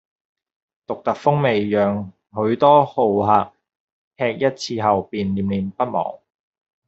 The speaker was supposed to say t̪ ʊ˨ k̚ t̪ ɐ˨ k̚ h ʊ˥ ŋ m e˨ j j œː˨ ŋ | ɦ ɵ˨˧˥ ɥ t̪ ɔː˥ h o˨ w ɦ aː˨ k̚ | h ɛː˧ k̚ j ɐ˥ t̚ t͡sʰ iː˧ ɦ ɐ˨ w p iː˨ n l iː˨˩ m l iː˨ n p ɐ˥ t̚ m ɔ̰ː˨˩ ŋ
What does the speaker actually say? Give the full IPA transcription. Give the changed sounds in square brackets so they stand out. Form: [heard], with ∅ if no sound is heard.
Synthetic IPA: t̪ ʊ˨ k̚ t̪ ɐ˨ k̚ [f] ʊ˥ ŋ m e˨ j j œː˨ ŋ | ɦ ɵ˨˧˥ ɥ t̪ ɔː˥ h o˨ w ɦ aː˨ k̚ | h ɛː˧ k̚ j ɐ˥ t̚ t͡sʰ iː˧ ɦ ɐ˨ w p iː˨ n l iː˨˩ m l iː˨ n p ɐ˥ t̚ m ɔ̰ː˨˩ ŋ